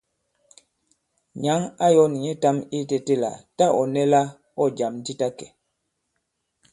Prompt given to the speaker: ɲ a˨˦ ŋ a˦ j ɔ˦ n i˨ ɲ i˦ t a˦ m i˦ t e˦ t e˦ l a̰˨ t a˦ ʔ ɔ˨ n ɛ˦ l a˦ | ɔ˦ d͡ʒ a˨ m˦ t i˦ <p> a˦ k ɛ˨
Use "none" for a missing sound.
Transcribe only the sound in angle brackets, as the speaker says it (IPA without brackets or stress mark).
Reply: t